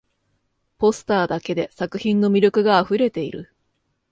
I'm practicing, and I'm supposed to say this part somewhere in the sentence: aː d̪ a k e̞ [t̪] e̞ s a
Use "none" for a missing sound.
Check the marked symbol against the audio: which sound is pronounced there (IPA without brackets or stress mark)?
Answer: d̪